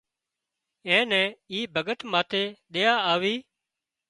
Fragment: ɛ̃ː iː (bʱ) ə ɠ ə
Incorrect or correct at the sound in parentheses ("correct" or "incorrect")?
correct